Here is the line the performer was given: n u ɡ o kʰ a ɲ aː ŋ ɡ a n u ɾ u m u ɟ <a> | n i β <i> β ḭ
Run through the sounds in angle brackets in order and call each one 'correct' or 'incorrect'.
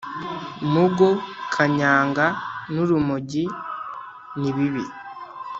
incorrect, correct

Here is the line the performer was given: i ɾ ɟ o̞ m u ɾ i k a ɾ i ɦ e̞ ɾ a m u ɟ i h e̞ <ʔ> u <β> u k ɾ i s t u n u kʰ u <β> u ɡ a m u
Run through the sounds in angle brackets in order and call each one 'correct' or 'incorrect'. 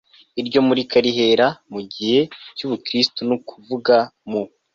incorrect, correct, incorrect

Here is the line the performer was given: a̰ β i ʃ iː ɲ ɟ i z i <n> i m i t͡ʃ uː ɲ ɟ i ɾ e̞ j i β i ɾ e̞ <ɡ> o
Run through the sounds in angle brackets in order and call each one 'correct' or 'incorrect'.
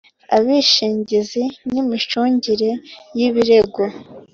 correct, correct

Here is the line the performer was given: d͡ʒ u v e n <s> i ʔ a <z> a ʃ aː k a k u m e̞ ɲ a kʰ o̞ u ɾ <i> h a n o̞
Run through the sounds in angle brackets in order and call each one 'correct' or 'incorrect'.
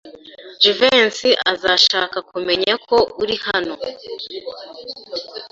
correct, correct, correct

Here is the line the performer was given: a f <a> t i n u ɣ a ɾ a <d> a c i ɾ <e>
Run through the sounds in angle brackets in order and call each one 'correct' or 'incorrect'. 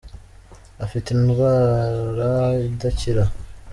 incorrect, correct, incorrect

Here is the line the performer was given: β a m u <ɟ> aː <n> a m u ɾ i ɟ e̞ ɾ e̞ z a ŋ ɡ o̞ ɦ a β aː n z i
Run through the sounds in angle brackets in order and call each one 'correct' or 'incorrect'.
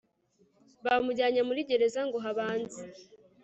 correct, incorrect

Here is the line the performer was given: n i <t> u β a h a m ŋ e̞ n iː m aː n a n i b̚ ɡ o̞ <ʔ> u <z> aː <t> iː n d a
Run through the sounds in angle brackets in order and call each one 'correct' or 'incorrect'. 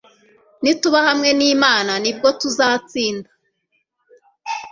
correct, incorrect, correct, incorrect

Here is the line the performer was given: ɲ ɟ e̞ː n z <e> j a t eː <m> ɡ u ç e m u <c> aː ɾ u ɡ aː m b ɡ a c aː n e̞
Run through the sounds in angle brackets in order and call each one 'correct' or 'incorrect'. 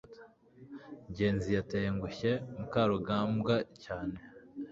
incorrect, incorrect, incorrect

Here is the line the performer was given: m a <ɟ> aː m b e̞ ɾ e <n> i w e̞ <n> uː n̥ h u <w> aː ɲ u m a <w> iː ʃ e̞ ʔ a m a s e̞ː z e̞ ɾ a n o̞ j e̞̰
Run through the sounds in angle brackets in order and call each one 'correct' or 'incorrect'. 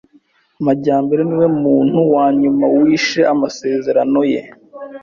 correct, correct, incorrect, correct, correct

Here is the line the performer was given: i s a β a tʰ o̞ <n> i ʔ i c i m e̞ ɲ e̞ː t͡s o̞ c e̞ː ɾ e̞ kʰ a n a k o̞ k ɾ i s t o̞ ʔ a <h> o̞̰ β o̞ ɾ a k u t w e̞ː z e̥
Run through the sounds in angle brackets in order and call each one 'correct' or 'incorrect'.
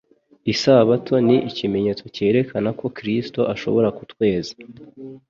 correct, incorrect

